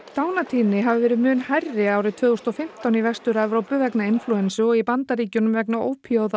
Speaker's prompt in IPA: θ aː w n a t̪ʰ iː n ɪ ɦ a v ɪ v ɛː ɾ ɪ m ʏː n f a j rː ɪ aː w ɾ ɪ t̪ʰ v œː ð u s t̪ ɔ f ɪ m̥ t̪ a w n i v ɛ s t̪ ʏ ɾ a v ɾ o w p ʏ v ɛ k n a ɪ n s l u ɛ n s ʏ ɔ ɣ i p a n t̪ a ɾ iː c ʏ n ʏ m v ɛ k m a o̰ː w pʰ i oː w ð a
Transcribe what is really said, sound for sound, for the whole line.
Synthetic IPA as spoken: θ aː w n a t̪ʰ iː n ɪ ɦ a v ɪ v ɛː ɾ ɪ m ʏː n h a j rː ɪ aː w ɾ ɪ t̪ʰ v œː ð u s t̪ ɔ f ɪ m̥ t̪ a w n i v ɛ s t̪ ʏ ɾ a v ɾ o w p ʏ v ɛ k n a ɪ n f l u ɛ n s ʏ ɔ ɣ i p a n t̪ a ɾ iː c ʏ n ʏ m v ɛ k n a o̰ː w pʰ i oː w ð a

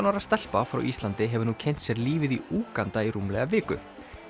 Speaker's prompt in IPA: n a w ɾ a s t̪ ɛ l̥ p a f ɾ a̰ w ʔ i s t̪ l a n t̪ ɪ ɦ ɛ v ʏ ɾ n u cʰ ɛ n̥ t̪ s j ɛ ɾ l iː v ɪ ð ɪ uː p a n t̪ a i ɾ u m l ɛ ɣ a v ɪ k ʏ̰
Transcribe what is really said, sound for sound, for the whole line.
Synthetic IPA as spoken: n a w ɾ a s t̪ ɛ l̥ p a f ɾ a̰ w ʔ i s t̪ l a n t̪ ɪ ɦ ɛ v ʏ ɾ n u cʰ ɛ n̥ t̪ s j ɛ ɾ l iː v ɪ ð i uː k a n t̪ a i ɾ u m l ɛ ɣ a v ɪː k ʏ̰

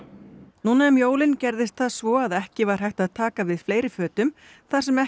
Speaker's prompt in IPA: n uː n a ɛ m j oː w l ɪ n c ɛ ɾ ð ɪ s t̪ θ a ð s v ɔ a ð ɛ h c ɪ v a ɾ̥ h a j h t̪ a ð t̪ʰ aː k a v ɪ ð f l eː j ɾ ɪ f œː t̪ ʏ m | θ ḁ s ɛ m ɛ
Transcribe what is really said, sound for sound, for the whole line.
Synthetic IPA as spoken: n uː n a ɛ m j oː w l ɪ n c ɛ ɾ ð ɪ s t̪ θ a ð s v ɔ a ð ɛ h c ɪ v a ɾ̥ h a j h t̪ a ð t̪ʰ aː k a v ɪ ð f l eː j ɾ ɪ f œː t̪ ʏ m | θ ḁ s ɛ m ɛ

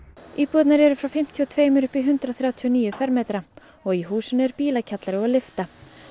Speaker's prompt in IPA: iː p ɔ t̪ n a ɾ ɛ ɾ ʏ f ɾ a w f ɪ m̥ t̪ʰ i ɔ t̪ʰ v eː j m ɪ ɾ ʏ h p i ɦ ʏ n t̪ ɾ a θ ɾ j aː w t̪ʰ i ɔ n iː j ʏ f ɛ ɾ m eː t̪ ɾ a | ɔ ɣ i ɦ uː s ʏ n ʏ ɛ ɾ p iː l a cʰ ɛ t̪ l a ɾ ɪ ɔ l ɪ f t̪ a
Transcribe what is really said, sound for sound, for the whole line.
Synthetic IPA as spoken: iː p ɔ t̪ n a ɾ ɛ ɾ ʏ f ɾ a w f ɪ m̥ t̪ʰ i ɔ t̪ʰ v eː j m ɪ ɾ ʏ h p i ɦ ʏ n t̪ ɾ a θ ɾ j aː w t̪ʰ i ɔ n iː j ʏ f ɛ ɾ m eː t̪ ɾ a | ɔ ɣ i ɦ uː s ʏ n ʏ ɛ ɾ p iː l a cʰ a t̪ l a ɾ ɪ ɔ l ɪ f t̪ a

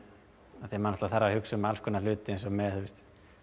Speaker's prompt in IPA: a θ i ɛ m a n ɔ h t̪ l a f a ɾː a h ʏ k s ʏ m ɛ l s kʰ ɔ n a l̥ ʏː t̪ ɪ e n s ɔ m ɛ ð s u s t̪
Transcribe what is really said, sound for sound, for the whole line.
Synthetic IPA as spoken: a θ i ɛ m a n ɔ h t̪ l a θ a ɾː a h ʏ k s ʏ m a l s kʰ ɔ n a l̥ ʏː t̪ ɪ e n s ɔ m ɛ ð θ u s t̪

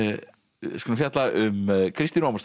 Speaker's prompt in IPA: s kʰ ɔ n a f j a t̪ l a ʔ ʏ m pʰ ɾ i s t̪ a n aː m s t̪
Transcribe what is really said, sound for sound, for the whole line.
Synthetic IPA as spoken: s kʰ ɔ n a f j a t̪ l a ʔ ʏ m kʰ ɾ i s t̪ i n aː m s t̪

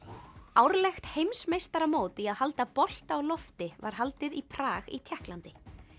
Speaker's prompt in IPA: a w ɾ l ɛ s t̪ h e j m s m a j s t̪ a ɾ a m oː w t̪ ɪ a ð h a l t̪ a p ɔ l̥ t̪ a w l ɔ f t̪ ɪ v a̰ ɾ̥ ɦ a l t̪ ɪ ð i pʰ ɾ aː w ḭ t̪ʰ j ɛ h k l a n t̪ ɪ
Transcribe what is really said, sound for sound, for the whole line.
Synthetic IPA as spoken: a w ɾ l ɛ x t̪ h e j m s m e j s t̪ a ɾ a m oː w t̪ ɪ a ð h a l t̪ a p ɔ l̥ t̪ a w l ɔ f t̪ ɪ v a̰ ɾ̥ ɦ a l t̪ ɪ ð i pʰ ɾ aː ɣ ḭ t̪ʰ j ɛ h k l a n t̪ ɪ

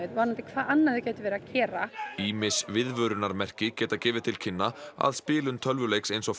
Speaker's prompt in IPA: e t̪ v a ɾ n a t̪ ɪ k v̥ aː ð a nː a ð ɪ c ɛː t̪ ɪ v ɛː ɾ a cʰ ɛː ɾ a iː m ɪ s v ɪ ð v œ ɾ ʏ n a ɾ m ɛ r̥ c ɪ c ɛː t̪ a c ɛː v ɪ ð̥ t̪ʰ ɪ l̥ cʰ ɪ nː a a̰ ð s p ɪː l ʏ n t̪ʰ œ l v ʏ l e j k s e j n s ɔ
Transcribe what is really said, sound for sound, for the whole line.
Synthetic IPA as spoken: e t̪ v a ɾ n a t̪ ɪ kʰ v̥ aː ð a nː a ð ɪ c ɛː t̪ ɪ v ɛː ɾ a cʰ ɛː ɾ a iː m ɪ s v ɪ ð v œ ɾ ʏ n a ɾ m ɛ r̥ c ɪ c ɛː t̪ a c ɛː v ɪ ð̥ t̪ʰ ɪ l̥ cʰ ɪ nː a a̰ ð s p ɪː l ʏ n t̪ʰ œ l v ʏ l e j k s e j n s ɔ

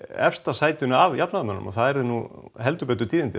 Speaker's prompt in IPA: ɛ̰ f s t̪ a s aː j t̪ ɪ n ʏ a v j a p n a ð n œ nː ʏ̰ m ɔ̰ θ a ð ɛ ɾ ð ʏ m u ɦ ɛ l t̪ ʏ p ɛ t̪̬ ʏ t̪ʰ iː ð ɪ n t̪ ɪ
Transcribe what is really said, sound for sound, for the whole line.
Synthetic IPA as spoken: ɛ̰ f s t̪ a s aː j t̪ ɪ n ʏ a v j a p n a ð m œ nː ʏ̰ m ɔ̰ θ a ð ɛ ɾ ð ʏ n u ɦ ɛ l t̪ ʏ p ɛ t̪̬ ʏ t̪ʰ iː ð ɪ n t̪ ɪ

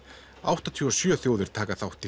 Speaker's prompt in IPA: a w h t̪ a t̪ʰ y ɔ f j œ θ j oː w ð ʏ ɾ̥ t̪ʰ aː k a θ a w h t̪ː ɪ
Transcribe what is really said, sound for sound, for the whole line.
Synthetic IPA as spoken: a w h t̪ a t̪ʰ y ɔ s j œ θ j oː w ð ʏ ɾ̥ t̪ʰ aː k a θ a w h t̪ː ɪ

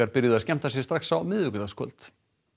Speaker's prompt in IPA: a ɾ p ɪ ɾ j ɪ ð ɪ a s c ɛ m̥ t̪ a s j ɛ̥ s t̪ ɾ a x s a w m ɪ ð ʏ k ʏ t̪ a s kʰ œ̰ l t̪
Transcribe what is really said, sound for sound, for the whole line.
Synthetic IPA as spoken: a ɾ p ɪ ɾ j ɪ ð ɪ a s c ɛ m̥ t̪ a s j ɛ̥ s t̪ ɾ a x s a w m ɪ ð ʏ k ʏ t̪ a s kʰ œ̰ l t̪

